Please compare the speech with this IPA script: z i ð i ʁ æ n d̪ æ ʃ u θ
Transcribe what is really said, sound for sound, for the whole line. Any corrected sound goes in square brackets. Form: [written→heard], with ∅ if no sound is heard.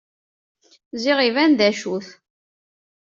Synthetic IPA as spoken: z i [ð→ʁ] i [ʁ→v] æ n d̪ æ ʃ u θ